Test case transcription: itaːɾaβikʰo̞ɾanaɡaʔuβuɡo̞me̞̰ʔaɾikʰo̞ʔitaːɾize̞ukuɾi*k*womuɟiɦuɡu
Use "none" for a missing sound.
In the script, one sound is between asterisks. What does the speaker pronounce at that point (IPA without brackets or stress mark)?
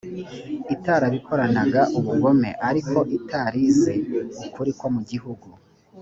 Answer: k